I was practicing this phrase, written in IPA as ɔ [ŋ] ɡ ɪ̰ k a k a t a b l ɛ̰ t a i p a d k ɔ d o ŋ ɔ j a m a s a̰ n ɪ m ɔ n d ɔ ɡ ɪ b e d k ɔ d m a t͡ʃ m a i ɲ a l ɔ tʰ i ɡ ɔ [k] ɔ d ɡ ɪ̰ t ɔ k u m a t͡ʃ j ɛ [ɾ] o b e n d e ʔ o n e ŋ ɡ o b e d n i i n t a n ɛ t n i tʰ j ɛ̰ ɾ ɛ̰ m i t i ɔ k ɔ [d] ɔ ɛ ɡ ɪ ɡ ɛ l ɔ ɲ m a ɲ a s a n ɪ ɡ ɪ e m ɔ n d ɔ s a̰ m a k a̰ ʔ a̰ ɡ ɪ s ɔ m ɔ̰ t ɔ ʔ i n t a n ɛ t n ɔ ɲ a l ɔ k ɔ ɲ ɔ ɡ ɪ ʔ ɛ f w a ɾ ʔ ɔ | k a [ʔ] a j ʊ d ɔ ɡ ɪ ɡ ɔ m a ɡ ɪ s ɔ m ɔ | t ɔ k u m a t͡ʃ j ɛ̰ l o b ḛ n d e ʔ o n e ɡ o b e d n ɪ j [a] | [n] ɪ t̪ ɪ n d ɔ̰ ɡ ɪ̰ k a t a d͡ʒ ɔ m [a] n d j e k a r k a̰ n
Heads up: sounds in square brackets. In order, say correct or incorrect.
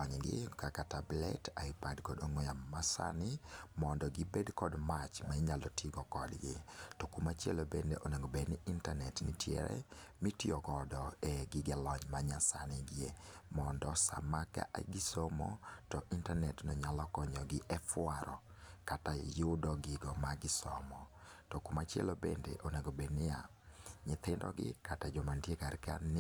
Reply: incorrect, correct, incorrect, correct, incorrect, correct, incorrect, correct

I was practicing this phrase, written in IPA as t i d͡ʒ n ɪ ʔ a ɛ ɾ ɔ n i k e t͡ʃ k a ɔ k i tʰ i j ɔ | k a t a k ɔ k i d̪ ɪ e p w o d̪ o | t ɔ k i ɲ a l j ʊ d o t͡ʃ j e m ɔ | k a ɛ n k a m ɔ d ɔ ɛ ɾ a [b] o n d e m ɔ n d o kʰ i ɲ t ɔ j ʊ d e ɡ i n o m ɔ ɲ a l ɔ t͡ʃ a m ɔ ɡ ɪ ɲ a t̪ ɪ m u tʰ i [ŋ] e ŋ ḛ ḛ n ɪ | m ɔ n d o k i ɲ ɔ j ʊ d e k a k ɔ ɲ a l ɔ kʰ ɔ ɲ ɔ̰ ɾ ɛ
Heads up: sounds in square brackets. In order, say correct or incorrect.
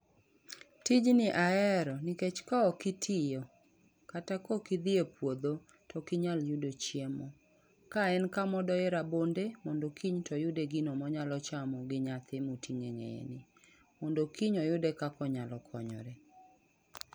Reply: correct, correct

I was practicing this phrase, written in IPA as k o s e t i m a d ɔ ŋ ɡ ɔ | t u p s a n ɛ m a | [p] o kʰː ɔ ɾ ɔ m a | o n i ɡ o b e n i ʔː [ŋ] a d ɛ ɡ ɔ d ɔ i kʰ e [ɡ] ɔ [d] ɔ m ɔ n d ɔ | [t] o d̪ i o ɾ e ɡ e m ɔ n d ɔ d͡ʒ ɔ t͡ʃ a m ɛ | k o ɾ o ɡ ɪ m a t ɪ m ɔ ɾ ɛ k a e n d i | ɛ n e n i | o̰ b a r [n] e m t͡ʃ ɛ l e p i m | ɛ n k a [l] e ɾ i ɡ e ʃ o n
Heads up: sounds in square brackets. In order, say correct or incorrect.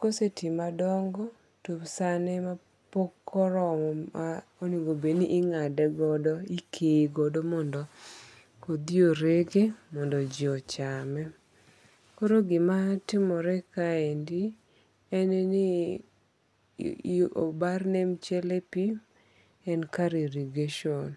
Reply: correct, correct, correct, correct, incorrect, correct, incorrect

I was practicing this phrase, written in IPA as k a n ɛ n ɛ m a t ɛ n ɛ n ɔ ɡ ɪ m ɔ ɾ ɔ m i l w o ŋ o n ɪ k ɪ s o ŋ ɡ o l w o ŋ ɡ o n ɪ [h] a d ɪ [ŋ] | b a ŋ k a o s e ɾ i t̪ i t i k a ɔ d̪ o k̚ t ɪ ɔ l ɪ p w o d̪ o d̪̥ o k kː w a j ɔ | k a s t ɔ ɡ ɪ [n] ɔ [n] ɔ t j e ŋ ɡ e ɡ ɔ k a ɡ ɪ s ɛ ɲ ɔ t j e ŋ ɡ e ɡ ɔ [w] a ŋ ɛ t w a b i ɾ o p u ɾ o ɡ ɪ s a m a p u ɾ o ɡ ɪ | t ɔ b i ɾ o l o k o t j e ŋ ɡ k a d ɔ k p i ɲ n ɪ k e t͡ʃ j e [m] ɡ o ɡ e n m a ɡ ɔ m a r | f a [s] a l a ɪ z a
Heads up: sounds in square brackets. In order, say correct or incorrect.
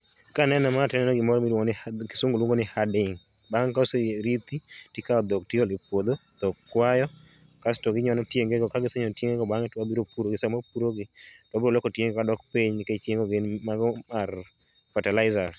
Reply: correct, correct, incorrect, correct, incorrect, incorrect, incorrect

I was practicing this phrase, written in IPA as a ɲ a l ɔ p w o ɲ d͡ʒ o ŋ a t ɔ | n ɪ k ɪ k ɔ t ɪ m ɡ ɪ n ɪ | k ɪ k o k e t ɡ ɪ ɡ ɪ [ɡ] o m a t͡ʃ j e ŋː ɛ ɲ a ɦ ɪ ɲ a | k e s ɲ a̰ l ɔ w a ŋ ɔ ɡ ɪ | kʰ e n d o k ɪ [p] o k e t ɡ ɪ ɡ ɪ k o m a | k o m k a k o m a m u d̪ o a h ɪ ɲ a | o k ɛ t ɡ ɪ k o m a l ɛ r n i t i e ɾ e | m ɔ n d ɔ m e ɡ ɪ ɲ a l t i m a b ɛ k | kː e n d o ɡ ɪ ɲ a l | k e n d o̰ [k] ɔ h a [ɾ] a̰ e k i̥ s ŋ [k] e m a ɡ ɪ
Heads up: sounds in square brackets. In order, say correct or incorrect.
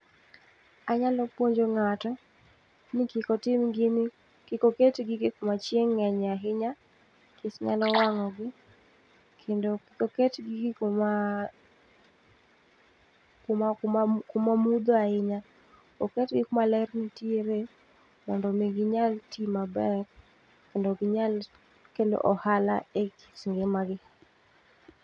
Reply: incorrect, incorrect, incorrect, incorrect, incorrect

